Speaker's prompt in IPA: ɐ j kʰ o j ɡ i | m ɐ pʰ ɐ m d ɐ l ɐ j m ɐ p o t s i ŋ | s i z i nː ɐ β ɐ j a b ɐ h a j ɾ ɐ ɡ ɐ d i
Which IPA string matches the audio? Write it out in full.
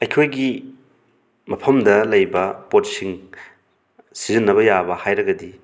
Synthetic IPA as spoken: ɐ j kʰ o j ɡ i | m ɐ pʰ ɐ m d ɐ l ɐ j b ɐ p o t s i ŋ | s i z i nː ɐ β ɐ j a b ɐ h a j ɾ ɐ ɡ ɐ d i